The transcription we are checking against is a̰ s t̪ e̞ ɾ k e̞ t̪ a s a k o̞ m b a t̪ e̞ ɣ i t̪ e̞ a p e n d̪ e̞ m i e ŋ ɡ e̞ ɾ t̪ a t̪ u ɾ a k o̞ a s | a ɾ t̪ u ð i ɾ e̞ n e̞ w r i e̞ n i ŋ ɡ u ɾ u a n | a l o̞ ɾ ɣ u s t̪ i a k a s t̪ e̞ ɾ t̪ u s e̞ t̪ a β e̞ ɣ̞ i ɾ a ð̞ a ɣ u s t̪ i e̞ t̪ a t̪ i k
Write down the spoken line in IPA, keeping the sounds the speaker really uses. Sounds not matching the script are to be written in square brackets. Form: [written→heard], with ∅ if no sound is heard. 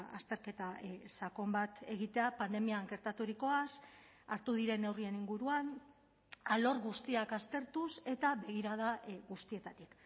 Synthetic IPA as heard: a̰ s t̪ e̞ ɾ k e̞ t̪ a s a k o̞ m b a t̪ e̞ ɣ i t̪ e̞ a p [e→a] n d̪ e̞ m i [e→a] ŋ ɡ e̞ ɾ t̪ a t̪ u ɾ [a→i] k o̞ a s | a ɾ t̪ u ð i ɾ e̞ n e̞ w r i e̞ n i ŋ ɡ u ɾ u a n | a l o̞ ɾ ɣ u s t̪ i a k a s t̪ e̞ ɾ t̪ u s e̞ t̪ a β e̞ ɣ̞ i ɾ a ð̞ a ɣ u s t̪ i e̞ t̪ a t̪ i k